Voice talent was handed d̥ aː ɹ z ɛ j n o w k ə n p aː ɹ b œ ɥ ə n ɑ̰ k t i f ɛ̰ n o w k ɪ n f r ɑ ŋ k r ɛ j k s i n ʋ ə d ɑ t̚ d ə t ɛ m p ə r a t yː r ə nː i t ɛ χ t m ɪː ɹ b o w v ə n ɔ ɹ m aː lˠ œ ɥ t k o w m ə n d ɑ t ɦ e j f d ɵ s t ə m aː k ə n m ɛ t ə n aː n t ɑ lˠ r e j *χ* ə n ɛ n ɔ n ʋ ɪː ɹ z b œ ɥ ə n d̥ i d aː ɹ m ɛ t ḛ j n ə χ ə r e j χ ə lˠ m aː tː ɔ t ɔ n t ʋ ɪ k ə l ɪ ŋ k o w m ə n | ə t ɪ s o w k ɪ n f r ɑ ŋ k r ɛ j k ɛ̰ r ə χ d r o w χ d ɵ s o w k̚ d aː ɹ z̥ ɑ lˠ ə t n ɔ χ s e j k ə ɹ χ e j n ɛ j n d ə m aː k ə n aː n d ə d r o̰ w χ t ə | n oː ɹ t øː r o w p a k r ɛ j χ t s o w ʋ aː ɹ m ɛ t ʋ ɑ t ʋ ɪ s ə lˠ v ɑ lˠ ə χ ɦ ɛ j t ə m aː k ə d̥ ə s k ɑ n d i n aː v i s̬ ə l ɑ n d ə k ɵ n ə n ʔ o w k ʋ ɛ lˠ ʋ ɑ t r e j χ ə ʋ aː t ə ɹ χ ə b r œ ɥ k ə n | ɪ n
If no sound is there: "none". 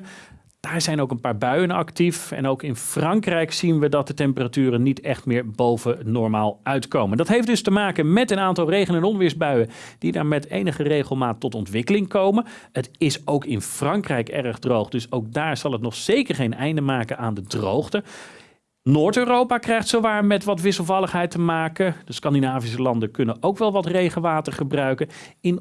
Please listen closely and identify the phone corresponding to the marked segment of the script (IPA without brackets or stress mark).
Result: χ